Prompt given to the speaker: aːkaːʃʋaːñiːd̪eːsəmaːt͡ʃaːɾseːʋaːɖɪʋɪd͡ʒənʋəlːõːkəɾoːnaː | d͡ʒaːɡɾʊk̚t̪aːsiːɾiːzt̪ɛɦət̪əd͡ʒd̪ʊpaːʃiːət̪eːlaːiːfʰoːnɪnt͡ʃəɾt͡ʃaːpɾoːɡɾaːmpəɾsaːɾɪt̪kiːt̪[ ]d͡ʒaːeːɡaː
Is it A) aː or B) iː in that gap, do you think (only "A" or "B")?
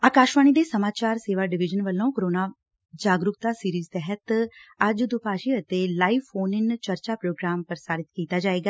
A